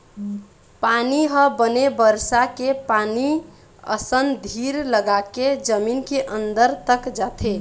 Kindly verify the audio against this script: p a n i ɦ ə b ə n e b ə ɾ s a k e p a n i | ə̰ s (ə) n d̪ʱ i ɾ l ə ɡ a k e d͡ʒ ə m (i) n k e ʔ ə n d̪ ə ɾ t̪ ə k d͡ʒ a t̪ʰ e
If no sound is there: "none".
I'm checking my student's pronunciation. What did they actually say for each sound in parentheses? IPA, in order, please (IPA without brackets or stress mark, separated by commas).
ə, i